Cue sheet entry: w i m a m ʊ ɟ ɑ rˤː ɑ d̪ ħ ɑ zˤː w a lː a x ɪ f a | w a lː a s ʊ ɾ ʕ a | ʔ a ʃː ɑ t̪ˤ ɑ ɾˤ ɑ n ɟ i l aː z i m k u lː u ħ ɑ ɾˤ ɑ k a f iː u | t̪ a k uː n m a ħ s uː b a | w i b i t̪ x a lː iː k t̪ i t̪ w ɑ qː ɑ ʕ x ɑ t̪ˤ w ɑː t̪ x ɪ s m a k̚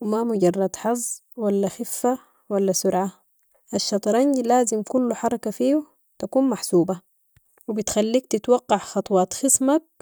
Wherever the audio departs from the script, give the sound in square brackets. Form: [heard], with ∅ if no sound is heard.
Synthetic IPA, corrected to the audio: w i m a m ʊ ɟ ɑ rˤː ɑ d̪ ħ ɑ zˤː w a lː a x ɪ [fː] a | w a lː a s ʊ ɾ ʕ a | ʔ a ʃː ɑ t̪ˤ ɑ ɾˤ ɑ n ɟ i l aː z i m k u lː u ħ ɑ ɾˤ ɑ k a f iː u | t̪ a k uː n m a ħ s uː b a | w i b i t̪ x a lː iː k t̪ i t̪ w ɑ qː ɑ ʕ x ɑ t̪ˤ w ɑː t̪ x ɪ s m a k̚